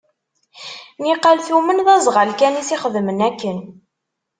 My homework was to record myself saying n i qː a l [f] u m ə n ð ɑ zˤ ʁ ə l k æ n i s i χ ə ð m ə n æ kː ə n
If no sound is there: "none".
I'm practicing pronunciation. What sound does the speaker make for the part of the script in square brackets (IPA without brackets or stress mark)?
θ